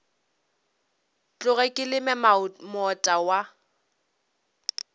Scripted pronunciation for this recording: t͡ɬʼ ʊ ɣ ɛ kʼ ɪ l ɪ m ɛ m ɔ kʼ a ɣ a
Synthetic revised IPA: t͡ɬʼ ʊ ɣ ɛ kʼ ɪ l ɪ m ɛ m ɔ tʼ a w a